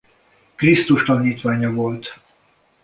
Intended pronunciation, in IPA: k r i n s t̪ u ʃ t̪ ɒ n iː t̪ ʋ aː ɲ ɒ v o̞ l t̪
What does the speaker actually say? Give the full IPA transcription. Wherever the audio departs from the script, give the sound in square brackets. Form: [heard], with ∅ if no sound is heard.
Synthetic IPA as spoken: k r i [∅] s t̪ u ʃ t̪ ɒ n iː t̪ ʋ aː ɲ ɒ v o̞ l t̪